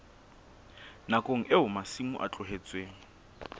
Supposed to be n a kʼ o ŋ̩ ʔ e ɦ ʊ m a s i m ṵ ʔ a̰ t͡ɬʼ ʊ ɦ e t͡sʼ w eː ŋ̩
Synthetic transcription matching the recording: n a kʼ o ŋ̩ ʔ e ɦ ʊ m a s i m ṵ ʔ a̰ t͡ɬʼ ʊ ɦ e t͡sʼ w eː ŋ̩